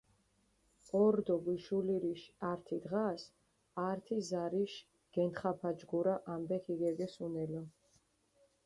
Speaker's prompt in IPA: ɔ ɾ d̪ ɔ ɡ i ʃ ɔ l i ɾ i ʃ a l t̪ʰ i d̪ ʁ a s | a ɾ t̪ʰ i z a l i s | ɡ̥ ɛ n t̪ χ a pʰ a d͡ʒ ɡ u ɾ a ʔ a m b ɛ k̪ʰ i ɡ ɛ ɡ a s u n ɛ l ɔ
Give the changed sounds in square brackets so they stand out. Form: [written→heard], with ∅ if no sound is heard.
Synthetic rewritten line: ɔ ɾ d̪ ɔ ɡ i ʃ [ɔ→u] l i ɾ i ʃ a [l→ɾ] t̪ʰ i d̪ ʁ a s | a ɾ t̪ʰ i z a [l→ɾ] i [s→ʃ] | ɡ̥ ɛ n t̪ χ a pʰ a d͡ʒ ɡ u ɾ a ʔ a m b ɛ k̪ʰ i ɡ ɛ ɡ [a→ɛ] s u n ɛ l ɔ

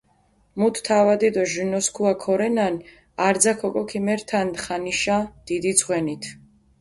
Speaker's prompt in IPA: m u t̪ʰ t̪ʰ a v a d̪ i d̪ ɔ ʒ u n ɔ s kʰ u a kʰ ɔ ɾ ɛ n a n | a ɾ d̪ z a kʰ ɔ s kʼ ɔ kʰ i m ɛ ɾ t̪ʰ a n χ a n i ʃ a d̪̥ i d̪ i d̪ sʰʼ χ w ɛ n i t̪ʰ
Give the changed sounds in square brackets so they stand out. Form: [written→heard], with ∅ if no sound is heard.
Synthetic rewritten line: m u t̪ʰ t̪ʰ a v a d̪ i d̪ ɔ ʒ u n ɔ s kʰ u a kʰ ɔ ɾ ɛ n a n | a ɾ d̪ z a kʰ ɔ [s→∅] kʼ ɔ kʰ i m ɛ ɾ t̪ʰ a n χ a n i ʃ a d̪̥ i d̪ i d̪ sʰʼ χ w ɛ n i t̪ʰ

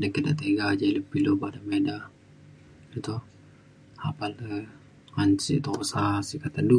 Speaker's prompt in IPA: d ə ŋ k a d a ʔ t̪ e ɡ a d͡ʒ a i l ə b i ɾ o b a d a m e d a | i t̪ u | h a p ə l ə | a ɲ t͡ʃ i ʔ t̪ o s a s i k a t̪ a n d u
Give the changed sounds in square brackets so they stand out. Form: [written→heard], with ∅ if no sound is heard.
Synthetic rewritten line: d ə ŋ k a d a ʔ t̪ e ɡ a d͡ʒ a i l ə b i [ɾ→l] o b a d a m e d a | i t̪ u | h a p [ə→a] l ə | a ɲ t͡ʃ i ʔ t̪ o s a s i k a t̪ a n d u

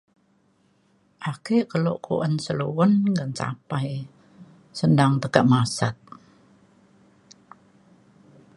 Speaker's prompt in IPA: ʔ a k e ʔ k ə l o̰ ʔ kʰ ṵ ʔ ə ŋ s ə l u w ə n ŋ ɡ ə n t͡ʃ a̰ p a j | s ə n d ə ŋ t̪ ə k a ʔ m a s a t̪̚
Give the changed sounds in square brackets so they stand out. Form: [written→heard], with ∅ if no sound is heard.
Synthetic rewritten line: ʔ a k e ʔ k ə l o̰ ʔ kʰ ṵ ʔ ə [ŋ→n] s ə l u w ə n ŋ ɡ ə n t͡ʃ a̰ p a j | s ə n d [ə→a] ŋ t̪ ə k a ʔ m a s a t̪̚

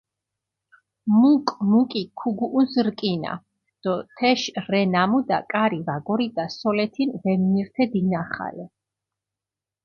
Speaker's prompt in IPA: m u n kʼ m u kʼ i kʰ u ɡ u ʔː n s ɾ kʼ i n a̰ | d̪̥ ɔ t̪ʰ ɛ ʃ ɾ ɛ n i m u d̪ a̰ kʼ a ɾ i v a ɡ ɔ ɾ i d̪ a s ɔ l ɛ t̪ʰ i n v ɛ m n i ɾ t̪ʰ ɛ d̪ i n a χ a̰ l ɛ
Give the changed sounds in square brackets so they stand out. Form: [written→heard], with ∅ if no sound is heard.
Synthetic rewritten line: m u [n→∅] kʼ m u kʼ i kʰ u ɡ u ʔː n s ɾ kʼ i n a̰ | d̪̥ ɔ t̪ʰ ɛ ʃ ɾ ɛ n [i→a] m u d̪ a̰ kʼ a ɾ i v a ɡ ɔ ɾ i d̪ a s ɔ l ɛ t̪ʰ i n v ɛ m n i ɾ t̪ʰ ɛ d̪ i n a χ a̰ l ɛ

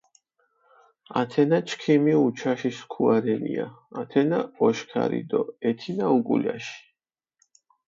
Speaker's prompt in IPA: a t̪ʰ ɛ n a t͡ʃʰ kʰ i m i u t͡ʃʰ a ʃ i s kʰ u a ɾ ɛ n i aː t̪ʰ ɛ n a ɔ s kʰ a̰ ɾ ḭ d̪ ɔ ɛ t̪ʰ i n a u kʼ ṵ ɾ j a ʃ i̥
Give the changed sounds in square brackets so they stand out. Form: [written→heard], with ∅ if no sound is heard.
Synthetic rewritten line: a t̪ʰ ɛ n a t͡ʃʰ kʰ i m i u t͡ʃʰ a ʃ i s kʰ u a ɾ ɛ n i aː t̪ʰ ɛ n a ɔ [s→ʃ] kʰ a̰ ɾ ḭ d̪ ɔ ɛ t̪ʰ i n a u kʼ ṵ [ɾ→l] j a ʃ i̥

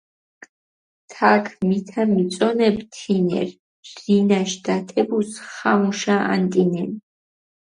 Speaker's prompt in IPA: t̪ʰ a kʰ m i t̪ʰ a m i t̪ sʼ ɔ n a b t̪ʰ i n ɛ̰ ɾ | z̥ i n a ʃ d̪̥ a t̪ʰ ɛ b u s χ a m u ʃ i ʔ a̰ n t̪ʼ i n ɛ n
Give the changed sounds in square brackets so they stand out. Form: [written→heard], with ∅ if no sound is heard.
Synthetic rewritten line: t̪ʰ a kʰ m i t̪ʰ a m i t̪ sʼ ɔ n [a→ɛ] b t̪ʰ i n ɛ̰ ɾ | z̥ i n a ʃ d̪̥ a t̪ʰ ɛ b u s χ a m u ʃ [i→a] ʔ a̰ n t̪ʼ i n ɛ n

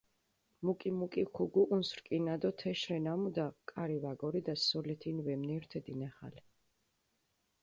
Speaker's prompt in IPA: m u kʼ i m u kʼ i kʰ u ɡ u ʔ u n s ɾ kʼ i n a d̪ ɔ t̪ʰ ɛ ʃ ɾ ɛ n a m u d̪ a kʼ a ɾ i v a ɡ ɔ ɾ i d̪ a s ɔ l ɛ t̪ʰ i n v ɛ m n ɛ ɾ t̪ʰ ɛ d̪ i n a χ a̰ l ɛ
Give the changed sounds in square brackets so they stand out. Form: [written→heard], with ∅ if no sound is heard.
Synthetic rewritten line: m u kʼ i m u kʼ i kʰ u ɡ u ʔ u n s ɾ kʼ i n a d̪ ɔ t̪ʰ ɛ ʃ ɾ ɛ n a m u d̪ a kʼ a ɾ i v a ɡ ɔ ɾ i d̪ a s ɔ l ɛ t̪ʰ i n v ɛ m n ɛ ɾ t̪ʰ ɛ d̪ i n a χ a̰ l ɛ

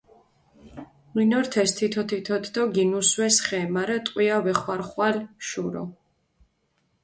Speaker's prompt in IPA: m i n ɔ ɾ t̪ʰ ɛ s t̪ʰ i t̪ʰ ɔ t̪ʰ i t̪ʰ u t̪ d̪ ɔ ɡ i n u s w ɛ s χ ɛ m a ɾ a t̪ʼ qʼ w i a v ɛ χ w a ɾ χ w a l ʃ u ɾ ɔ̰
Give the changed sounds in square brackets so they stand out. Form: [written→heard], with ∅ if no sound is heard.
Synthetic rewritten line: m i n ɔ ɾ t̪ʰ ɛ s t̪ʰ i t̪ʰ ɔ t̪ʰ i t̪ʰ [u→ɔ] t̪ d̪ ɔ ɡ i n u s w ɛ s χ ɛ m a ɾ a t̪ʼ qʼ w i a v ɛ χ w a ɾ χ w a l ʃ u ɾ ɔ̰

